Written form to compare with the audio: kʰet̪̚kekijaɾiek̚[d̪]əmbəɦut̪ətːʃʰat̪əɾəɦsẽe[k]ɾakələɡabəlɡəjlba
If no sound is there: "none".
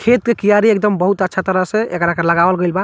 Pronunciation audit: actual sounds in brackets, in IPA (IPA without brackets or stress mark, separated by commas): d̪, k